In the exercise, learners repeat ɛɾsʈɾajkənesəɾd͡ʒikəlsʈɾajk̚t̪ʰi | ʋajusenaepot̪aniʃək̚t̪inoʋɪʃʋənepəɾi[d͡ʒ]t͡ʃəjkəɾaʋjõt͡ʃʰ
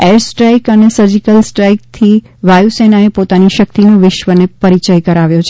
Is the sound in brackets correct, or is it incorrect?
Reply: incorrect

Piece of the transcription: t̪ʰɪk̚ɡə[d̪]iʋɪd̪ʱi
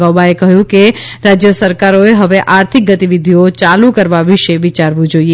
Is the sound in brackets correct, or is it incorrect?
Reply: incorrect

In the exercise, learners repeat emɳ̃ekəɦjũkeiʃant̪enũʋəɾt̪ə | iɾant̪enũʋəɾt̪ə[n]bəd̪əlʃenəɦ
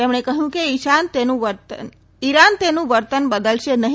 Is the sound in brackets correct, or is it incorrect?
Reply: correct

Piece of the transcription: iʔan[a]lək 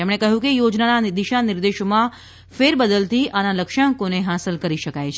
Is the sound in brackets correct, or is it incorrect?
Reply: correct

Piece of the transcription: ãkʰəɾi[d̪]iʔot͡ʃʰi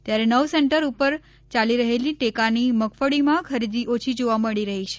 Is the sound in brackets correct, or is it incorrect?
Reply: correct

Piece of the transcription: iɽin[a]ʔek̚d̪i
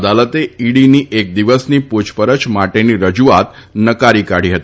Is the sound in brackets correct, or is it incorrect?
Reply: incorrect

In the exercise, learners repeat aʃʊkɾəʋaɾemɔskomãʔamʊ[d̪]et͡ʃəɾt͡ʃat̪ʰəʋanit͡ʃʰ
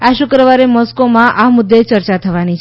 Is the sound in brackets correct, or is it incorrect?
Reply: incorrect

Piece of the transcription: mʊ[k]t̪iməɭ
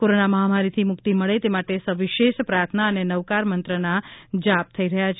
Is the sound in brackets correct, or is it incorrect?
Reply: correct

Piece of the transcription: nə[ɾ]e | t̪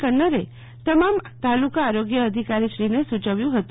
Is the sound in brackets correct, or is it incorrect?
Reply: correct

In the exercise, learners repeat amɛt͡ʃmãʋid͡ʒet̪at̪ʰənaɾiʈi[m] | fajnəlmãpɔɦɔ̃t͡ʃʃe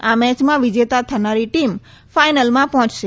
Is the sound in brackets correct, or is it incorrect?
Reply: correct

